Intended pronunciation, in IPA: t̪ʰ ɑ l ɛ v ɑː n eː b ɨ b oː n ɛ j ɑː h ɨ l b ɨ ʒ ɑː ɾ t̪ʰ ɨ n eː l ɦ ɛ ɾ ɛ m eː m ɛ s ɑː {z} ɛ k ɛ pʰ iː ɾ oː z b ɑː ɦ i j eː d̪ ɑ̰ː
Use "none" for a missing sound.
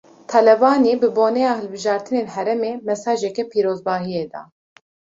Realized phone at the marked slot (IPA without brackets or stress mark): ʒ